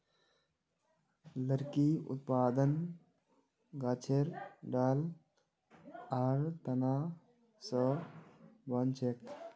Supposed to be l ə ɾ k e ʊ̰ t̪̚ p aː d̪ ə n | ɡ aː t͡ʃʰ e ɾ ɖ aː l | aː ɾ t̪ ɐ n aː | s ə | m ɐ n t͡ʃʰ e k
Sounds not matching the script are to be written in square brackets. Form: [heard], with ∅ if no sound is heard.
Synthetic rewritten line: l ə ɾ k [i] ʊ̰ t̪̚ p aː d̪ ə n | ɡ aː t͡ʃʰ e ɾ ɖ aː l | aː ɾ t̪ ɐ n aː | s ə | [b] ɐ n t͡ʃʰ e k